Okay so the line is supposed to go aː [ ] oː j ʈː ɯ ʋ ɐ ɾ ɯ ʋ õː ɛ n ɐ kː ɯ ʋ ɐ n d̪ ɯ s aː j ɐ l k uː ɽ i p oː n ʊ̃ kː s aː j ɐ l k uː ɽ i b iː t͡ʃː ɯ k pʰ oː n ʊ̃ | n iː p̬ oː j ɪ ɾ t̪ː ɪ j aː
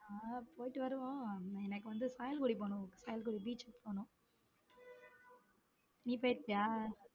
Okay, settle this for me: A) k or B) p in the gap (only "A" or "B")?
B